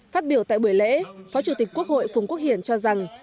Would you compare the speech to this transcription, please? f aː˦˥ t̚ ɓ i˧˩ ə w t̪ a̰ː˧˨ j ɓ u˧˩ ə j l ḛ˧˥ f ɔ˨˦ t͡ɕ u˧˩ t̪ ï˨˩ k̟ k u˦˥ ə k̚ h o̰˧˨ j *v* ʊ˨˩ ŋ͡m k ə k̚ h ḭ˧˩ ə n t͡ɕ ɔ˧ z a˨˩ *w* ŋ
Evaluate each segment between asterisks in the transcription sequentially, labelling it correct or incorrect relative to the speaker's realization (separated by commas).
incorrect, incorrect